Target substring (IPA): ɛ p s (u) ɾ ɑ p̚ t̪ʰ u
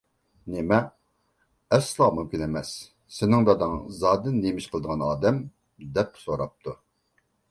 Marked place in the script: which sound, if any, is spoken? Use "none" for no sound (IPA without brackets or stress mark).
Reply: o